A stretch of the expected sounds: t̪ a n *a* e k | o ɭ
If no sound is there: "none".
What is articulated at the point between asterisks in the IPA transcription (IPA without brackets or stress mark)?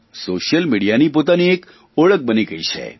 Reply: i